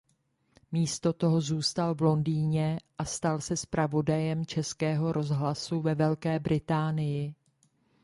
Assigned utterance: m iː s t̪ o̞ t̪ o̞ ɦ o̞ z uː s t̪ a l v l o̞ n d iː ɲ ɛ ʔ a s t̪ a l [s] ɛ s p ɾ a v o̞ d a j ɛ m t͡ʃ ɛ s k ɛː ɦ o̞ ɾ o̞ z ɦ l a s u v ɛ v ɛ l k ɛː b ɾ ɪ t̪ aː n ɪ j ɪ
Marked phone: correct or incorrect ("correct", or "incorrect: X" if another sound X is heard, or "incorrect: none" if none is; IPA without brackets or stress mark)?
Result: correct